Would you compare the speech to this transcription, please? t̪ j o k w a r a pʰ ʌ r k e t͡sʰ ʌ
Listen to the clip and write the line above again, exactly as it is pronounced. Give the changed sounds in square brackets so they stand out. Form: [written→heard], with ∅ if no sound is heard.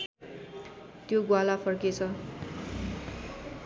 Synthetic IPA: t̪ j o [k→ɡ] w a [r→l] a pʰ ʌ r k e t͡sʰ ʌ